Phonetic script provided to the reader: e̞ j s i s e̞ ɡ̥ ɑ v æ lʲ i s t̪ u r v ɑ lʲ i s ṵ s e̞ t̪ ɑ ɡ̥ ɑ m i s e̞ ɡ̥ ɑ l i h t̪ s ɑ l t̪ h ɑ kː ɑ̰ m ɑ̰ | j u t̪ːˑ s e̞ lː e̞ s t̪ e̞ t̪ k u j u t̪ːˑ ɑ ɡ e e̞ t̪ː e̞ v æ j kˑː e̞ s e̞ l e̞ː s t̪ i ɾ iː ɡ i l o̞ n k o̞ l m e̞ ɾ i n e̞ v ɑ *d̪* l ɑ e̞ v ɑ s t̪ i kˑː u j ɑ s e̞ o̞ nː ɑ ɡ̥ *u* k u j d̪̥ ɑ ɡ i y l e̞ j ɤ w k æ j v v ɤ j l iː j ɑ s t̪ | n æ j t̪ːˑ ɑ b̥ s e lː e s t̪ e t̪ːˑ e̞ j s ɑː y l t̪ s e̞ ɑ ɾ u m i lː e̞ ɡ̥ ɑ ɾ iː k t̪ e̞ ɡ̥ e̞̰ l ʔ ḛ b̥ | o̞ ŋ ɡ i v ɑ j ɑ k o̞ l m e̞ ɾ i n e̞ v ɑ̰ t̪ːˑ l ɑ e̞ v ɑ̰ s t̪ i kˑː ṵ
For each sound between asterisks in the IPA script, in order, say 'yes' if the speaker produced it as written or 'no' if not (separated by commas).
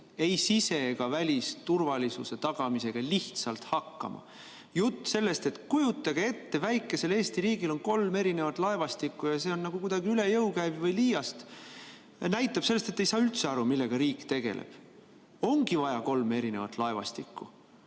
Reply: no, yes